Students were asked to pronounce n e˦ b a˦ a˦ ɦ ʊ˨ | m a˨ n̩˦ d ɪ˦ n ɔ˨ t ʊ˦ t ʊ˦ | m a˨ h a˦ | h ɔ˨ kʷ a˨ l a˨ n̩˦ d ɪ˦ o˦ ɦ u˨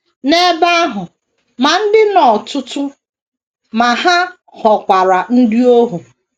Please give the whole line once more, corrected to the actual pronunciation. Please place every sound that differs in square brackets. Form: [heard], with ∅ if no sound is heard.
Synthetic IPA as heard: n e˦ b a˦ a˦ ɦ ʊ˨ | m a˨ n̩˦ d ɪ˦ n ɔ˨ t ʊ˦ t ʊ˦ | m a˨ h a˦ | h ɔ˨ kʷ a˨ [ɾ] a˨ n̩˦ d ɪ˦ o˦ ɦ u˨